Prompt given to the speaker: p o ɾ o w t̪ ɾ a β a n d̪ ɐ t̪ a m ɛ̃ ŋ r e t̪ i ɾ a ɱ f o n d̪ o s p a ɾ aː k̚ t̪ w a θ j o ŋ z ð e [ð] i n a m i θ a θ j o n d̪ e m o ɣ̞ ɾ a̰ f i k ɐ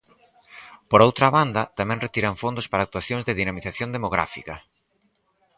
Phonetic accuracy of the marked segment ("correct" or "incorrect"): correct